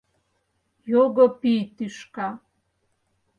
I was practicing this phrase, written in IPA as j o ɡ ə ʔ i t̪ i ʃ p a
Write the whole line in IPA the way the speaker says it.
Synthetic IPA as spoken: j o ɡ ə p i t̪ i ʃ k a